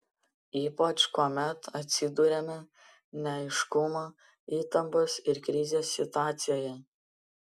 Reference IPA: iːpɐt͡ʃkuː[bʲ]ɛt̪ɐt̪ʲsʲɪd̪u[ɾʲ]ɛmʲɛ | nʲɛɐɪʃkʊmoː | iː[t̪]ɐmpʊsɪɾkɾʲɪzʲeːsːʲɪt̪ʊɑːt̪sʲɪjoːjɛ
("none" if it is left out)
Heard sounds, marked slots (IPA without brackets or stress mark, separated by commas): mʲ, ɾʲ, t̪